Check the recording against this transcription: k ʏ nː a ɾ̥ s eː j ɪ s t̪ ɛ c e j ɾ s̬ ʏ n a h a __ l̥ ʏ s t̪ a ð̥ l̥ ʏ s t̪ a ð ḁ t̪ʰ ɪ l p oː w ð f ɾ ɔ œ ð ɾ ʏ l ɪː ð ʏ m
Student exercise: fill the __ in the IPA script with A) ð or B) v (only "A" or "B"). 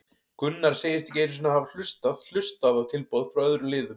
B